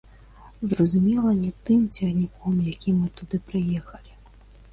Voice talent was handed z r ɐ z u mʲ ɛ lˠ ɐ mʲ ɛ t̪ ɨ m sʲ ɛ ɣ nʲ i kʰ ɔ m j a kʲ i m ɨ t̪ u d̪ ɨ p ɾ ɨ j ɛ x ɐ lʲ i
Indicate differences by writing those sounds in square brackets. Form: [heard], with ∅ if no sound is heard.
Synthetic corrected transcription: z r ɐ z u mʲ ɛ lˠ ɐ [nʲ] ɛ t̪ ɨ m [t͡sʲ] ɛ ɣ nʲ i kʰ ɔ m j a kʲ i m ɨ t̪ u d̪ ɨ p ɾ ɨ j ɛ x ɐ lʲ i